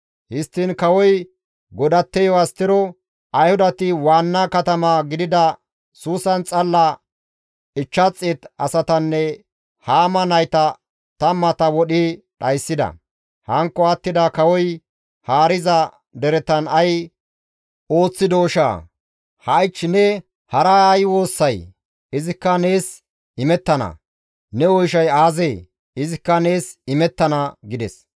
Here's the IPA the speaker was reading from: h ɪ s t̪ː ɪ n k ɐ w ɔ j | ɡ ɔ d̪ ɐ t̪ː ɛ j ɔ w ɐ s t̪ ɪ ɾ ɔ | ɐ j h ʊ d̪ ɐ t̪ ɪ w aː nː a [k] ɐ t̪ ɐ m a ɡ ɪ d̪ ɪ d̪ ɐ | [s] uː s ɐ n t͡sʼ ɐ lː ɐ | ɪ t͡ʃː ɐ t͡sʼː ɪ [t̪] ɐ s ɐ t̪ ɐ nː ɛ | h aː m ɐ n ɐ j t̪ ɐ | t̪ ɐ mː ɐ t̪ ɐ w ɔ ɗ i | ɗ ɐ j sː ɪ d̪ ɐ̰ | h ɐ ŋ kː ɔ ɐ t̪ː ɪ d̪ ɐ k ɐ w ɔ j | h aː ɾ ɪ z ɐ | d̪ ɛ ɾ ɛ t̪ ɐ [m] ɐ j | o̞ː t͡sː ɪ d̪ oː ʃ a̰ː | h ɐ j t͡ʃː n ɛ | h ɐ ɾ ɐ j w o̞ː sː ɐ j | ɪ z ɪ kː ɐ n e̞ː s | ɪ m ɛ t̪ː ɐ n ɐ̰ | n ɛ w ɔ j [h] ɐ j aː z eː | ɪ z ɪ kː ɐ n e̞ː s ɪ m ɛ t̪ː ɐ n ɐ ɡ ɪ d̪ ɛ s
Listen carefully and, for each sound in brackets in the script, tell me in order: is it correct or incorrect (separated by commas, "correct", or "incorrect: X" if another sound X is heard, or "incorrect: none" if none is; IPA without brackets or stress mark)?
correct, correct, correct, incorrect: n, incorrect: ʃ